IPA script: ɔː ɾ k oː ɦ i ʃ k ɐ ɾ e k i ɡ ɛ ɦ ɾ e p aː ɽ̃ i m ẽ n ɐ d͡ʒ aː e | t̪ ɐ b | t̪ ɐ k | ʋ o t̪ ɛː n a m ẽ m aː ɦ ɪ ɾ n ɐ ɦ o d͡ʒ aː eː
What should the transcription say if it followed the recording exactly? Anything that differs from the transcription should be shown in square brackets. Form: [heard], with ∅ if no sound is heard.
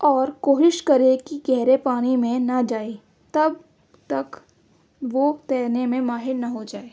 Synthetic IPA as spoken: ɔː ɾ k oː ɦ [ɪ] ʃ k ɐ ɾ e k i ɡ ɛ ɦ ɾ e p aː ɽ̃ i m ẽ n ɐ d͡ʒ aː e | t̪ ɐ b | t̪ ɐ k | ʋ o t̪ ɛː n [e] m ẽ m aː ɦ ɪ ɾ n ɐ ɦ o d͡ʒ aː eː

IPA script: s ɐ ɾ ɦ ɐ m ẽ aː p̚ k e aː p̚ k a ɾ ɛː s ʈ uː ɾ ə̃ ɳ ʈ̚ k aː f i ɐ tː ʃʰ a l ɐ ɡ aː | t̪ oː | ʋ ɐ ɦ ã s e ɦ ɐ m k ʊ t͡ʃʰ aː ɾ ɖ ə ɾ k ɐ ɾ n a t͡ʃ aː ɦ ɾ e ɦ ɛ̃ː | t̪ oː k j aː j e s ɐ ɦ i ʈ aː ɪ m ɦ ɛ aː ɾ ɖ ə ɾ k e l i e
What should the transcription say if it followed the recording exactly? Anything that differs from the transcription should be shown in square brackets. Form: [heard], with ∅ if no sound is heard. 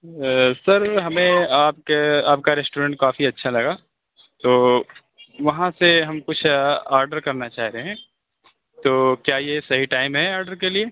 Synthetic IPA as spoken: s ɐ ɾ ɦ ɐ m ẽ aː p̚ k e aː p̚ k a ɾ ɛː s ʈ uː ɾ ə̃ ɳ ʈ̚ k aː f i ɐ tː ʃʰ a l ɐ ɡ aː | t̪ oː | ʋ ɐ ɦ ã s e ɦ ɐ m k ʊ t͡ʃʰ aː ɾ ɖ ə ɾ k ɐ ɾ n a t͡ʃ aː ɦ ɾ e ɦ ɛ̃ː | t̪ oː k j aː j e s ɐ ɦ i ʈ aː ɪ m ɦ ɛ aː ɾ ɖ ə ɾ k e l i e

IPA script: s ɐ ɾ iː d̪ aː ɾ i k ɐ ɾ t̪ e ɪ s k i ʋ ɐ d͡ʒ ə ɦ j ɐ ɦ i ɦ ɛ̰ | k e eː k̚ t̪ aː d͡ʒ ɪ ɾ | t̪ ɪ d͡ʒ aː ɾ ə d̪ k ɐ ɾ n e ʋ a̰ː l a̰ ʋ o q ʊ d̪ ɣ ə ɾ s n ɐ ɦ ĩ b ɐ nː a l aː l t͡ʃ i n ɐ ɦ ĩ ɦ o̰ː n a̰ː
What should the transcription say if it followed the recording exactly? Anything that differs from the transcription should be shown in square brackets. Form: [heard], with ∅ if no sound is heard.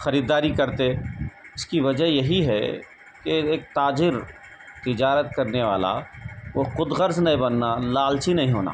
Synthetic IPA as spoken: [x] ɐ ɾ iː d̪ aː ɾ i k ɐ ɾ t̪ e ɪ s k i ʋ ɐ d͡ʒ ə ɦ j ɐ ɦ i ɦ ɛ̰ | k e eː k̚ t̪ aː d͡ʒ ɪ ɾ | t̪ ɪ d͡ʒ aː ɾ ə [t̪] k ɐ ɾ n e ʋ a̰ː l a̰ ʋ o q ʊ d̪ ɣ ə ɾ [z] n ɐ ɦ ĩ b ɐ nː a l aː l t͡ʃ i n ɐ ɦ ĩ ɦ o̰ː n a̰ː

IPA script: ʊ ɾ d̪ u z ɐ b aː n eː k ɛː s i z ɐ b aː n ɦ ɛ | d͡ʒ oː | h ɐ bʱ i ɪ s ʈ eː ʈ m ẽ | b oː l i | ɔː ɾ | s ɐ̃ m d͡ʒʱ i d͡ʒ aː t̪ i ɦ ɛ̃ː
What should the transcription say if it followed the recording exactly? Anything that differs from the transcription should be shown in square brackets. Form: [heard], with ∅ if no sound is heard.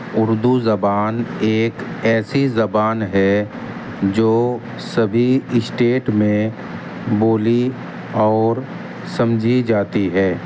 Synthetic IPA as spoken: ʊ ɾ d̪ u z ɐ b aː n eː k ɛː s i z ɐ b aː n ɦ ɛ | d͡ʒ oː | [s] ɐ bʱ i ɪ s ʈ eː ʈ m ẽ | b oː l i | ɔː ɾ | s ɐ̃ m d͡ʒʱ i d͡ʒ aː t̪ i ɦ [ɛː]

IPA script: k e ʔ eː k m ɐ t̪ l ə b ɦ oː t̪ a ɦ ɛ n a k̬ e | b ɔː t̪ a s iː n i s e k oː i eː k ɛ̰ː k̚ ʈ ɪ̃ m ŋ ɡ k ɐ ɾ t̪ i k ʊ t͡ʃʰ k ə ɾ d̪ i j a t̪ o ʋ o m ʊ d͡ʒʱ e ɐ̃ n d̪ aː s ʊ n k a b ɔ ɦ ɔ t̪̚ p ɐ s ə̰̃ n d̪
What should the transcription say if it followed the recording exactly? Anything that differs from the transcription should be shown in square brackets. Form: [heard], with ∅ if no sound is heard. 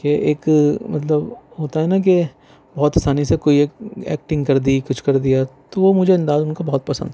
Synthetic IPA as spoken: k e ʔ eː k m ɐ t̪ l ə b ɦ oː t̪ a ɦ ɛ n a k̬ e | b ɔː t̪ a s [aː] n i s e k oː i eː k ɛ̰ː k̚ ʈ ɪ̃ [∅] ŋ ɡ k ɐ ɾ [d̪] i k ʊ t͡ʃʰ k [ɐ] ɾ d̪ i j a t̪ o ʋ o m ʊ d͡ʒʱ e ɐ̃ n d̪ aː [z] ʊ n k a b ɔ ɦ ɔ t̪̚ p ɐ s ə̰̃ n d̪

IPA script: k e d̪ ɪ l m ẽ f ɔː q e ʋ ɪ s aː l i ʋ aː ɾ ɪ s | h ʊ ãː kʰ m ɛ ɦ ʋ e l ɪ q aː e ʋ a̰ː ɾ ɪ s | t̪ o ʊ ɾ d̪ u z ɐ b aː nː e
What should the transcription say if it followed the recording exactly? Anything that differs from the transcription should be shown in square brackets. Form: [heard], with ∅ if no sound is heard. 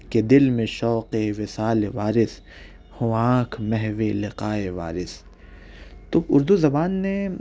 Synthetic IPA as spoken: k e d̪ ɪ l m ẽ [ʃ] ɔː q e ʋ ɪ s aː l [e] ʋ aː ɾ ɪ s | h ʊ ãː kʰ m ɛ ɦ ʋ e l ɪ q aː e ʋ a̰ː ɾ ɪ s | t̪ o ʊ ɾ d̪ u z ɐ b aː nː e

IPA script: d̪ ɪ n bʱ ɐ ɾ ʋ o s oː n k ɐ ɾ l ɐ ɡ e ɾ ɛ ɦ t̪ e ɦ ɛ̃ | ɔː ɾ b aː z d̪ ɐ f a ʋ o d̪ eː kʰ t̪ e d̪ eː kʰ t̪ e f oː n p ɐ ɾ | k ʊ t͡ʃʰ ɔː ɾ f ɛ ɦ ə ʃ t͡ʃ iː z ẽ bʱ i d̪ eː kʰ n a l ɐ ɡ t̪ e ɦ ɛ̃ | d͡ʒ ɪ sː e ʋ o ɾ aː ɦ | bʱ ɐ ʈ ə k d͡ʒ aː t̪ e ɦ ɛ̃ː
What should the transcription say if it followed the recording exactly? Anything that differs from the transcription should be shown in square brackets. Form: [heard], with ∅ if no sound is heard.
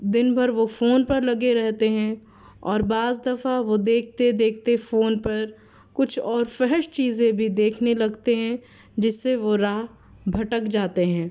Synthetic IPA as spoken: d̪ ɪ n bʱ ɐ ɾ ʋ o [f] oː n [p] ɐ ɾ l ɐ ɡ e ɾ ɛ ɦ t̪ e ɦ ɛ̃ | ɔː ɾ b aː z d̪ ɐ f a ʋ o d̪ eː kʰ t̪ e d̪ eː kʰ t̪ e f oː n p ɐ ɾ | k ʊ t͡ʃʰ ɔː ɾ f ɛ ɦ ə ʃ t͡ʃ iː z ẽ bʱ i d̪ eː kʰ n [e] l ɐ ɡ t̪ e ɦ ɛ̃ | d͡ʒ ɪ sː e ʋ o ɾ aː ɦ | bʱ ɐ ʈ ə k d͡ʒ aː t̪ e ɦ ɛ̃ː

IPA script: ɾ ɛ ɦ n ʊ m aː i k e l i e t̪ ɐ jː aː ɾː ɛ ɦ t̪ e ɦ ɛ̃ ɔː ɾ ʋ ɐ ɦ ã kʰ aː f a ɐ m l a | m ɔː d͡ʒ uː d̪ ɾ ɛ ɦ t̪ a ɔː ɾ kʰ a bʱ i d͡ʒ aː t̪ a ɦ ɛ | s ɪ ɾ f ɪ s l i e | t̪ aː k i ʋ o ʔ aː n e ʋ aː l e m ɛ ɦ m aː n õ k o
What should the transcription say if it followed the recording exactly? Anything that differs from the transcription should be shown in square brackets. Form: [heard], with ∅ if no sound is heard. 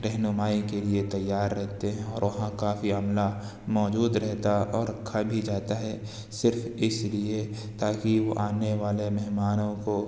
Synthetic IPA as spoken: ɾ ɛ ɦ n ʊ m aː i k e l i e t̪ ɐ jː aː ɾː ɛ ɦ t̪ e ɦ ɛ̃ ɔː ɾ ʋ ɐ ɦ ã [k] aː f [i] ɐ m l a | m ɔː d͡ʒ uː d̪ ɾ ɛ ɦ t̪ a ɔː ɾ kʰ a bʱ i d͡ʒ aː t̪ a ɦ ɛ | s ɪ ɾ f ɪ s l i e | t̪ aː k i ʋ o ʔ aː n e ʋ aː l e m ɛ ɦ m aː n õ k o

